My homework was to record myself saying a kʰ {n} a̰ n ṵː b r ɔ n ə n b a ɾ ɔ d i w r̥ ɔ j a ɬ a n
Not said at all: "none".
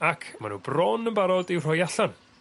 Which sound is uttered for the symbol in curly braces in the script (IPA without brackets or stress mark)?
m